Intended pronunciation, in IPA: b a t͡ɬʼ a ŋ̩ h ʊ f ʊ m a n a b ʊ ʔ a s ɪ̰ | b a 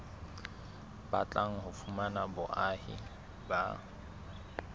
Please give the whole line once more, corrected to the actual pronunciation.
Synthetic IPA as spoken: b a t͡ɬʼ a ŋ̩ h ʊ f u m a n a b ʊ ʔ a h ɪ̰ | b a